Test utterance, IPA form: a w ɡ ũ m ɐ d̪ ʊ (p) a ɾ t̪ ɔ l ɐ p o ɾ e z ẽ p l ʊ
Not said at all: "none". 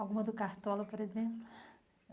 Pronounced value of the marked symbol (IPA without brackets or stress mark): k